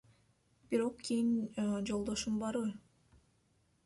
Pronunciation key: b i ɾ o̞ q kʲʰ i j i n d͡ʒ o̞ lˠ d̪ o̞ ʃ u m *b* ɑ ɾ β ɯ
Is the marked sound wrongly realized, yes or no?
no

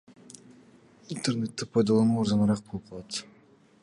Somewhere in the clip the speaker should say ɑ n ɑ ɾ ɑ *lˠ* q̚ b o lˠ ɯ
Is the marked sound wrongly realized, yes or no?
yes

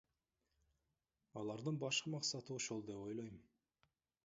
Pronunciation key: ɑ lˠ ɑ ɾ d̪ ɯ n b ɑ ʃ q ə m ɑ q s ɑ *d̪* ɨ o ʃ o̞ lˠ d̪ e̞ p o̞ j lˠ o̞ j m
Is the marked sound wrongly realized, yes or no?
yes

